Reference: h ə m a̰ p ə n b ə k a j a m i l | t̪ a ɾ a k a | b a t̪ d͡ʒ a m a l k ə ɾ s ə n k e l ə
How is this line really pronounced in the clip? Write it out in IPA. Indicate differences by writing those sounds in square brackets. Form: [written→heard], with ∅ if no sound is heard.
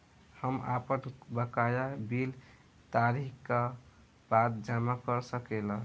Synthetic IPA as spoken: h ə m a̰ p ə n b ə k a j a [m→b] i l | t̪ a ɾ [a→i] k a | b a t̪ d͡ʒ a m a [l→∅] k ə ɾ s ə [n→∅] k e l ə